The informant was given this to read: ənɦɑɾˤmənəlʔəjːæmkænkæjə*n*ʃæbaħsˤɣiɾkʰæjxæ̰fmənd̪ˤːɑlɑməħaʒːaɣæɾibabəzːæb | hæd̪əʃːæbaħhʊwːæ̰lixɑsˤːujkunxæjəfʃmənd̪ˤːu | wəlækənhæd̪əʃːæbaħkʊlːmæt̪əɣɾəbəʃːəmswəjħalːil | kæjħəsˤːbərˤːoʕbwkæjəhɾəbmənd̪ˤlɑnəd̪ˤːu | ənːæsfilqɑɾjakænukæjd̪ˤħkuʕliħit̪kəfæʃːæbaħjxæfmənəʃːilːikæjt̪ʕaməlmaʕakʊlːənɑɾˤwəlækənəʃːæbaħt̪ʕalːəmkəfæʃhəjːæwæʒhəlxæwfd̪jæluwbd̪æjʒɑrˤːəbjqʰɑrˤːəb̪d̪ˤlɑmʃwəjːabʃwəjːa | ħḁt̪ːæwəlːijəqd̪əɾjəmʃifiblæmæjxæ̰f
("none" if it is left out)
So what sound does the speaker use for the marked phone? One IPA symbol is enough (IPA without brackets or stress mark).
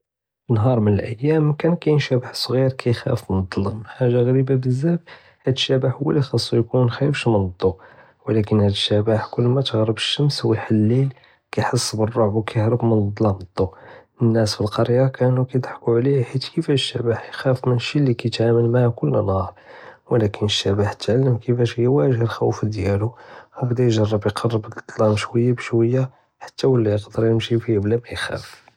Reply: n